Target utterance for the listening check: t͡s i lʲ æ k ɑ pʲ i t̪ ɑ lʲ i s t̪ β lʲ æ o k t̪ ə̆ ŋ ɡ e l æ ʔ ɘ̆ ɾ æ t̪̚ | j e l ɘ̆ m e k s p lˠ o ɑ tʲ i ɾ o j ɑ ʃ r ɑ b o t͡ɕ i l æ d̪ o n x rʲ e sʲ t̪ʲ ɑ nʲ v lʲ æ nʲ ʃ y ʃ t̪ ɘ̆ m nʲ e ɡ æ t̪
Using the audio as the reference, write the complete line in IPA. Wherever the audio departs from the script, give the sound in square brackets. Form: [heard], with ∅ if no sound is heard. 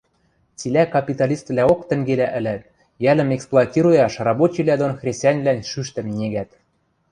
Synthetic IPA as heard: t͡s i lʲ æ k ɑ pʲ i t̪ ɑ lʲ i s t̪ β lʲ æ o k t̪ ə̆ ŋ ɡ e l æ ʔ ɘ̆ [l] æ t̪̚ | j [æ] l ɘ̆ m e k s p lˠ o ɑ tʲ i ɾ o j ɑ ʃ r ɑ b o t͡ɕ i l æ d̪ o n x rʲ e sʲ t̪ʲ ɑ nʲ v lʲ æ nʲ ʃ y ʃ t̪ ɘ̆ m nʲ e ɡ æ t̪